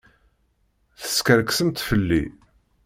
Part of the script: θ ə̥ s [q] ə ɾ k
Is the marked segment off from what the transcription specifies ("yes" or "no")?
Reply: yes